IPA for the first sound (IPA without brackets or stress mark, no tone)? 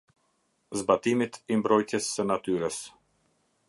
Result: z